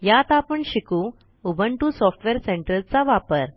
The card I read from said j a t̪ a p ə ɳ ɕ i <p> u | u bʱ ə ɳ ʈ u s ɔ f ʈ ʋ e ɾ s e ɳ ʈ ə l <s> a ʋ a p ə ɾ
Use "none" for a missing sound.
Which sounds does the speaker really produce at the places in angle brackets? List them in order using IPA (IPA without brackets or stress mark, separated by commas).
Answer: k, t͡s